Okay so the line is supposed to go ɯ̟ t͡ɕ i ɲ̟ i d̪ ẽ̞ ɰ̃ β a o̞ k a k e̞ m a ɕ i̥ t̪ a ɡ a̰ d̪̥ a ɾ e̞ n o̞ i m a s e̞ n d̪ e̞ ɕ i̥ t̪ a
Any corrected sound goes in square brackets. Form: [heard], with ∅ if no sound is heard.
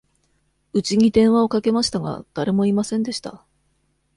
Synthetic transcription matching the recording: ɯ̟ t͡ɕ i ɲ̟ i d̪ ẽ̞ ɰ̃ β a o̞ k a k e̞ m a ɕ i̥ t̪ a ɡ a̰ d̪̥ a ɾ e̞ [m] o̞ i m a s [ẽ̞] n d̪ e̞ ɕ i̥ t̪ a